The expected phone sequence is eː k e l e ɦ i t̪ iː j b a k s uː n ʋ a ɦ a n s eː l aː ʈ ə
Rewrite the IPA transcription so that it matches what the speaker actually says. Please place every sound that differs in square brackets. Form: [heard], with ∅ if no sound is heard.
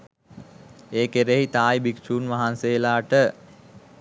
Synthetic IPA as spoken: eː k e [ɾ] e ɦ i t̪ [aː] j b [i] k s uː n ʋ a ɦ a n s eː l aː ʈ ə